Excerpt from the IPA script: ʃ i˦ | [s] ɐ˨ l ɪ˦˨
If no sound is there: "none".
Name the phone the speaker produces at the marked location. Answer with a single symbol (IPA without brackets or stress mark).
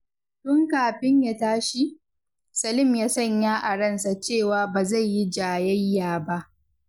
s